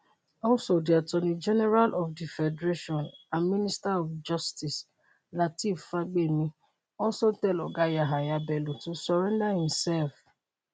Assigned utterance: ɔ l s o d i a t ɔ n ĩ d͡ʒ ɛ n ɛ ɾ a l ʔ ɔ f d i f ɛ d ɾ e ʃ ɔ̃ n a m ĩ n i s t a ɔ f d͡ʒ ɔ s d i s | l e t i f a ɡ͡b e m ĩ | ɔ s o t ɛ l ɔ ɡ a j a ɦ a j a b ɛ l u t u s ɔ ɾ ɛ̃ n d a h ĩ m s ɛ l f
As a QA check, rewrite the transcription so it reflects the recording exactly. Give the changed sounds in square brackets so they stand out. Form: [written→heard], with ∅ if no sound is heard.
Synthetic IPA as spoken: ɔ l s o d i a t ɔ n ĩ d͡ʒ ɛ n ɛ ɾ a l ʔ ɔ f d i f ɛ d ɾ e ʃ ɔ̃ n a m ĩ n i s t a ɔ f d͡ʒ ɔ s [d→t] i s | l [e→a] t i f a ɡ͡b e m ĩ | ɔ s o t ɛ l ɔ ɡ a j a ɦ a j a b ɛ l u t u s ɔ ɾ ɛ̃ n d a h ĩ m s ɛ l f

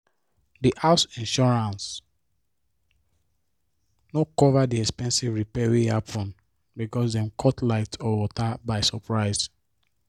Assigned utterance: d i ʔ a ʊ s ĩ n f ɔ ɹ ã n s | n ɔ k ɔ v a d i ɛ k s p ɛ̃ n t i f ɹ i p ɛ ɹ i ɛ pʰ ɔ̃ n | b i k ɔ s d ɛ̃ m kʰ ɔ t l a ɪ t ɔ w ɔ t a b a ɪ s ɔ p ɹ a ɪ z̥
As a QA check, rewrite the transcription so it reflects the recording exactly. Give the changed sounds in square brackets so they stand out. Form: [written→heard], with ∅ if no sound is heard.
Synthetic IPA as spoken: d i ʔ a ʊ s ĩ n [f→ʃ] ɔ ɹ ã n s | n ɔ k ɔ v a d i ɛ k s p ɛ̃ n [t→s] i [f→v] ɹ i p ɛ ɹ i [ɛ→a] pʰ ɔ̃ n | b i k ɔ s d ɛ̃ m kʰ ɔ t l a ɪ t ɔ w ɔ t a b a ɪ s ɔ p ɹ a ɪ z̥

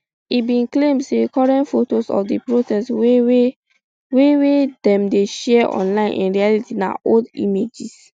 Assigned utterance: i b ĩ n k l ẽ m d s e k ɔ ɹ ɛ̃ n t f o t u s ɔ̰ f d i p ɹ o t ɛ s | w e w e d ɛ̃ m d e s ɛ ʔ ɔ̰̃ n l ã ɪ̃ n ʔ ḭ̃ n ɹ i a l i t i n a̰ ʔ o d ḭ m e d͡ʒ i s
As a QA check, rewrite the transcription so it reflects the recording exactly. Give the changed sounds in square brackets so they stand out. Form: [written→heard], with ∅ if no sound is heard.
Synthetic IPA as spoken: i b ĩ n k l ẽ m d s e k ɔ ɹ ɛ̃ n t f o t [u→o] s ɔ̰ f d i p ɹ o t ɛ s | w e w e d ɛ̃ m d e [s→ʃ] ɛ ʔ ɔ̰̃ n l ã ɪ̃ n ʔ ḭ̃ n ɹ i a l i t i n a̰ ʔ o d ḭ m e d͡ʒ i s

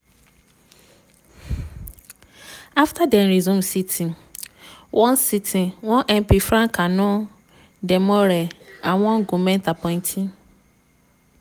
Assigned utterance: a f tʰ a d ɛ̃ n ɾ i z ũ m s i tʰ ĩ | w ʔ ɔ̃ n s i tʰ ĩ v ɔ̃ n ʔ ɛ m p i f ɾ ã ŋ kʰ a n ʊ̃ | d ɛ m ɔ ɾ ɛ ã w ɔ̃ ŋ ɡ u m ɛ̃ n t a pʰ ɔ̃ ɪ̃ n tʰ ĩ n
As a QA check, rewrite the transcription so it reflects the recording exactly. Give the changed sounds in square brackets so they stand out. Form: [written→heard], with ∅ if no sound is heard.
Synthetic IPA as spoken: a f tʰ a d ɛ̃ n ɾ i z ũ m s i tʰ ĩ | w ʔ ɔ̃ n s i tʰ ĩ [v→w] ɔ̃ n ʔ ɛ m p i f ɾ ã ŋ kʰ a n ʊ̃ | d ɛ m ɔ ɾ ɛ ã w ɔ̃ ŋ ɡ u m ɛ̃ n t a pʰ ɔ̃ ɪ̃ n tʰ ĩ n

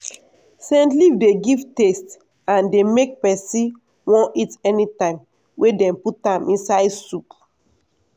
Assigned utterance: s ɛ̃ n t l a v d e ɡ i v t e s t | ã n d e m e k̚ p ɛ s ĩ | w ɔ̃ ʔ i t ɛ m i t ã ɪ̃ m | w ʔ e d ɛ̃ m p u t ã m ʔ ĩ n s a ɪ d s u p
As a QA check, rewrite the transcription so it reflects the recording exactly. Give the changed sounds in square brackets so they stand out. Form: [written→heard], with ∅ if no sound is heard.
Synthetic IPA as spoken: s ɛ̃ n t l [a→i] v d e ɡ i v t e s t | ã n d e m e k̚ p ɛ s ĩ | w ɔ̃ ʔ i t ɛ [m→n] i t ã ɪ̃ m | w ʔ e d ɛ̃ m p u t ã m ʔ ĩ n s a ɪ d s u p

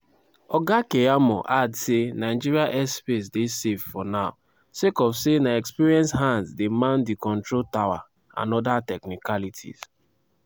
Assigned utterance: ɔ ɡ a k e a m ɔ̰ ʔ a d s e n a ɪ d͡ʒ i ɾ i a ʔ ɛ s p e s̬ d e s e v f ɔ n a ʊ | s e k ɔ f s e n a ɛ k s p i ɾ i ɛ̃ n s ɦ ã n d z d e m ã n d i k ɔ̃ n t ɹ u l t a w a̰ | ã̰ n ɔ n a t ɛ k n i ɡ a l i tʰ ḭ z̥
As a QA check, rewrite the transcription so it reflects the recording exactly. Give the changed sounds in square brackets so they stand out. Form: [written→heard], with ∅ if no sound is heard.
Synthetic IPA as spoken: ɔ ɡ a k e a m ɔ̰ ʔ a d s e n a ɪ d͡ʒ i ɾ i a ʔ ɛ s p e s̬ d e s e v f ɔ n a ʊ | s e k ɔ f s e n a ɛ k s p i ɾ i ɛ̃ n s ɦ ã n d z d e m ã n d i k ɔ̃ n t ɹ [u→o] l t a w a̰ | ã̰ n ɔ [n→d] a t ɛ k n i [ɡ→k] a l i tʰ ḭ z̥

